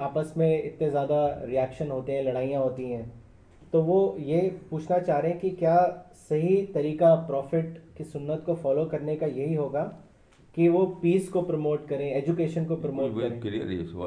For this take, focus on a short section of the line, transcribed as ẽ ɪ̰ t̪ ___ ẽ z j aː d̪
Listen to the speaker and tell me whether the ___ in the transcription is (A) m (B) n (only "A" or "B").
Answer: B